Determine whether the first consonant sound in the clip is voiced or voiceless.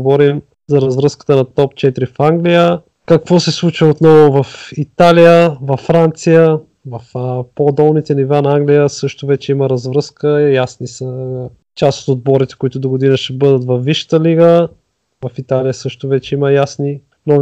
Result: voiced